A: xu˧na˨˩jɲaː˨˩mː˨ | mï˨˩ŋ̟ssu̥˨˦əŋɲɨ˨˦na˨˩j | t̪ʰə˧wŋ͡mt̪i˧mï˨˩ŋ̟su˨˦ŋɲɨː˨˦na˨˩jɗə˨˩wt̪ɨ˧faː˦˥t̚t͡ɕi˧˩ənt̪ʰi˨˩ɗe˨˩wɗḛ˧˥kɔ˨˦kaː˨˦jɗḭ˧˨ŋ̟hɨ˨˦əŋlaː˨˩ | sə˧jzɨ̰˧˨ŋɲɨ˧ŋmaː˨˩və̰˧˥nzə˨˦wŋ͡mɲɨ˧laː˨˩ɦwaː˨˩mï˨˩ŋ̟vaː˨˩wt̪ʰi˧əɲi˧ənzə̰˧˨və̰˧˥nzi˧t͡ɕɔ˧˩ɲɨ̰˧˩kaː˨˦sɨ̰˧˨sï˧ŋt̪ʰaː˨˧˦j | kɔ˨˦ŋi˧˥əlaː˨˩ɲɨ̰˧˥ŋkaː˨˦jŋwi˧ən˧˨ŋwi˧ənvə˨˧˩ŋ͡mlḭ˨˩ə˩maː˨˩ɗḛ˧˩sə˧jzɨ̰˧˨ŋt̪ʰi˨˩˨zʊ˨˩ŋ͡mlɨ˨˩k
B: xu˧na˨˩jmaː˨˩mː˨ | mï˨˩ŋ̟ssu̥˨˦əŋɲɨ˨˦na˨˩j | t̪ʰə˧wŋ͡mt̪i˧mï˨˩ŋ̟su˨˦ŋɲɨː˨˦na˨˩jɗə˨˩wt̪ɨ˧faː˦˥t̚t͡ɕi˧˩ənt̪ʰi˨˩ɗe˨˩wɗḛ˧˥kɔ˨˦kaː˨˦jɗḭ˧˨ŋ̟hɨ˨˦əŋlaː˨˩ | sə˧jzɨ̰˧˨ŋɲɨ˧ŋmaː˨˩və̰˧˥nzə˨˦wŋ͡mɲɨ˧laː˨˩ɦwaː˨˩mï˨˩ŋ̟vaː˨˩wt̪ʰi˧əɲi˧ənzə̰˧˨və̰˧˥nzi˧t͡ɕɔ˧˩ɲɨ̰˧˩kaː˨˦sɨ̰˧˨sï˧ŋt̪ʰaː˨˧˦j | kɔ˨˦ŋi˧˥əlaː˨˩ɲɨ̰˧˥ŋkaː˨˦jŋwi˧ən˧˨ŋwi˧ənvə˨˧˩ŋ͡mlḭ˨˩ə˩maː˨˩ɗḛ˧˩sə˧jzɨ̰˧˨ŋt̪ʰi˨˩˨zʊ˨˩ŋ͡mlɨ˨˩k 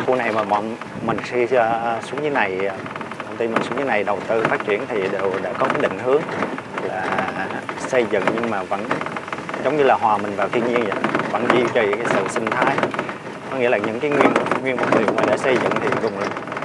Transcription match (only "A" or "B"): B